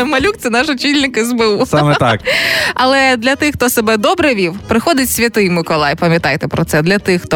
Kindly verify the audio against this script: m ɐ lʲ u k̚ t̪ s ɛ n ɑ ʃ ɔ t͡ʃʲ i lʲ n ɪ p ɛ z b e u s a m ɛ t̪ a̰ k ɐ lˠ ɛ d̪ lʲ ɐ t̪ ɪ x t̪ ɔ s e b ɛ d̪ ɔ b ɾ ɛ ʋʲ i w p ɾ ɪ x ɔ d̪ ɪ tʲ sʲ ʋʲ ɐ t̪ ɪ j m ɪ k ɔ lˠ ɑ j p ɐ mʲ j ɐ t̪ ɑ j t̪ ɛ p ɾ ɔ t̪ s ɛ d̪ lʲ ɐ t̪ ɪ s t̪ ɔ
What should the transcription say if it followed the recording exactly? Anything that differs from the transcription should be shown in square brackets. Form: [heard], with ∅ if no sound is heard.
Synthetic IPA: m ɐ lʲ u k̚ t̪ s ɛ n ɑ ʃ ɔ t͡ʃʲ i lʲ n ɪ [k] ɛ z b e u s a m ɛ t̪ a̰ k ɐ lˠ ɛ d̪ lʲ ɐ t̪ ɪ x t̪ ɔ s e b ɛ d̪ ɔ b ɾ ɛ ʋʲ i w p ɾ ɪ x ɔ d̪ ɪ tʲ sʲ ʋʲ ɐ t̪ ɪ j m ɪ k ɔ lˠ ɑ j p ɐ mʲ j ɐ t̪ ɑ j t̪ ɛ p ɾ ɔ t̪ s ɛ d̪ lʲ ɐ t̪ ɪ [x] t̪ ɔ